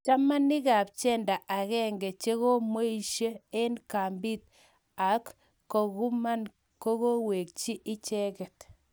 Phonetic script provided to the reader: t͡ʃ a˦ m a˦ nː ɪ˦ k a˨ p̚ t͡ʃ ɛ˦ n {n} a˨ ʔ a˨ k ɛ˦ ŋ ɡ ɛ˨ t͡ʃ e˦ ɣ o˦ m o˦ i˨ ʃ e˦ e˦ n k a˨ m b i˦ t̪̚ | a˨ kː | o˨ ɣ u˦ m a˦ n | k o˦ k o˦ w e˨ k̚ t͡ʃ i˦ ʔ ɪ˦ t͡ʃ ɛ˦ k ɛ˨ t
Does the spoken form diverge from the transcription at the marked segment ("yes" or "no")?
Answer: yes